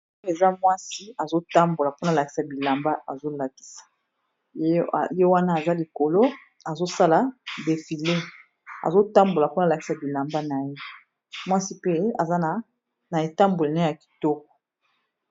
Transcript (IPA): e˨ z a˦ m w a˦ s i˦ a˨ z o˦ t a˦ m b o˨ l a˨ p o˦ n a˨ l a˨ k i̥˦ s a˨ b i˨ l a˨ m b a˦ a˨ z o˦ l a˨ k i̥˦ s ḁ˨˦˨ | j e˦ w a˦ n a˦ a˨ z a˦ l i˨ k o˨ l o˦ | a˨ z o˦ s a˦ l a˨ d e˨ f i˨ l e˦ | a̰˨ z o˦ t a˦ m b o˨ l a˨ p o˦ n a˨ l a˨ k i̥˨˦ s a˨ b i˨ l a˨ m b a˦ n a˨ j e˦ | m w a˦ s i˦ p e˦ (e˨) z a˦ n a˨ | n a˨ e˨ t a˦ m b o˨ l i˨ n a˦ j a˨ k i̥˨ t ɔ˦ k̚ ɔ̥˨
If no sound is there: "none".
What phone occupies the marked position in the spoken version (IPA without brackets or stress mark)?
a˨